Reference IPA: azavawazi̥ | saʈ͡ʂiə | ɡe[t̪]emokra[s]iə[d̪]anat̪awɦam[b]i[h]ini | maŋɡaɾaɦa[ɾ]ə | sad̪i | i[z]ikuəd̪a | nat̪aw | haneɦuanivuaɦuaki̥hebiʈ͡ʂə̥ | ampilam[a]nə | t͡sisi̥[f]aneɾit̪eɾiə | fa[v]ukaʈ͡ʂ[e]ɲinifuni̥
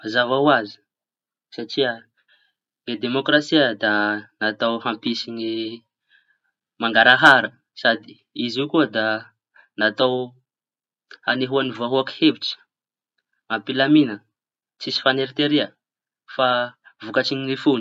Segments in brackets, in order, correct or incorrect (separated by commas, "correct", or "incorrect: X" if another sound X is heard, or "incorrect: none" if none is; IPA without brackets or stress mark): incorrect: d̪, correct, correct, incorrect: p, incorrect: s, correct, correct, incorrect: i, correct, correct, incorrect: i